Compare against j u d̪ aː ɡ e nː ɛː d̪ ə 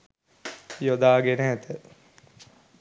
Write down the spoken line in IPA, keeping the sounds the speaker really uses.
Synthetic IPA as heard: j o d̪ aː ɡ e n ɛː t̪ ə